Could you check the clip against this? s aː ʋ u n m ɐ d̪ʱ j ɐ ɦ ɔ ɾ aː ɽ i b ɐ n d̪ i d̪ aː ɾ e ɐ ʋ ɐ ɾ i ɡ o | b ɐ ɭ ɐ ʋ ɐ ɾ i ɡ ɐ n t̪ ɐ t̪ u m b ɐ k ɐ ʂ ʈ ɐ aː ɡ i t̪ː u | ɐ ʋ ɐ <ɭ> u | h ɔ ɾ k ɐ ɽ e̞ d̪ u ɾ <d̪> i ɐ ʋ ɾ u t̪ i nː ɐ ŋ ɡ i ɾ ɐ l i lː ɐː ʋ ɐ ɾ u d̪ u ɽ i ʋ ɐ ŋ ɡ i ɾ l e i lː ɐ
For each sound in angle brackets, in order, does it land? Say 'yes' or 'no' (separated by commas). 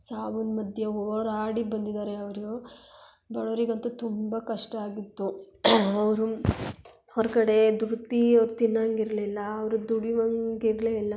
no, no